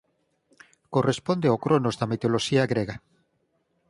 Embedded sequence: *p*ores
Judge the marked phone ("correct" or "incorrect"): incorrect